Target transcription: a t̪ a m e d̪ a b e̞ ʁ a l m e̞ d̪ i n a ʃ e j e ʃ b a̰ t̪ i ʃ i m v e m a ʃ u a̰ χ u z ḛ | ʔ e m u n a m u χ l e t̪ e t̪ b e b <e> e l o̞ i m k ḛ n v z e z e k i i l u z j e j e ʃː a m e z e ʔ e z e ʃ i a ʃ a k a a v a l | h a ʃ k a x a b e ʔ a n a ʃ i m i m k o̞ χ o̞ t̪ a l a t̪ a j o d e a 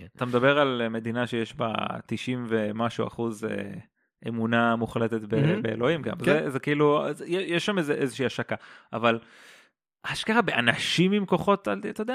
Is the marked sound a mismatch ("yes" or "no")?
no